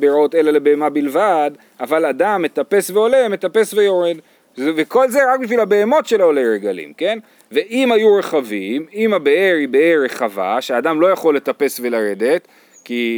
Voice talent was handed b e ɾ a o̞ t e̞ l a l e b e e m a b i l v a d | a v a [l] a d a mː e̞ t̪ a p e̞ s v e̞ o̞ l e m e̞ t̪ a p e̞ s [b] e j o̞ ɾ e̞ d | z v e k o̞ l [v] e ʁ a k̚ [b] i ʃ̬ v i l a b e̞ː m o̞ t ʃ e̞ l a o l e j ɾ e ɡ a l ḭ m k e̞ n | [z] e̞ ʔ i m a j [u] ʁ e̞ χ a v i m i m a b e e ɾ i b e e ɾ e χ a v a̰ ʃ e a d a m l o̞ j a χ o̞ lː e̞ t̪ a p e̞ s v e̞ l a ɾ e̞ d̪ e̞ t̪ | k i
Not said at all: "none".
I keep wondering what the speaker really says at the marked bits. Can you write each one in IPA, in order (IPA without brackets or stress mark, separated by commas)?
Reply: l, v, z, b, v, u